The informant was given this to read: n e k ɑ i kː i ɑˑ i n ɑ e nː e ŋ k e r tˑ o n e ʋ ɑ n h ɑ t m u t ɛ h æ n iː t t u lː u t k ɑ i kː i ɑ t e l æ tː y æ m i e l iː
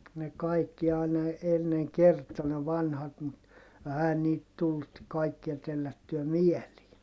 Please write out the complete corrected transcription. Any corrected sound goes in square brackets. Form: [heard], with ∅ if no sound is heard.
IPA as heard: n e k ɑ i kː i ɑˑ i n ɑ e nː e ŋ k e r tˑ o n e ʋ ɑ n h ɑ t m u t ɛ h æ n iː t t u lː u t k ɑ i kː i ɑ t e [lː] æ tː y æ m i e l iː

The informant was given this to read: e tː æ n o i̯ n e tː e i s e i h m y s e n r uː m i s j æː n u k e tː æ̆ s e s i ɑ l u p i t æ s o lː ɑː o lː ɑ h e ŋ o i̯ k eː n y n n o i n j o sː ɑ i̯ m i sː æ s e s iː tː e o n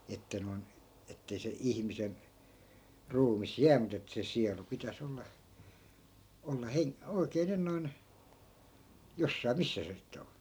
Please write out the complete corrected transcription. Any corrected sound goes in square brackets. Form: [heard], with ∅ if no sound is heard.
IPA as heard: e tː æ n o i̯ n e tː e i s e i h m [i] s e n r uː m i s j æː [m] u [t] e tː æ̆ s e s i ɑ l u p i t æ s o lː [ɑ] o lː ɑ h e ŋ o i̯ k eː n y n n o i n j o sː ɑ i̯ m i sː æ s e s [i] tː e o n

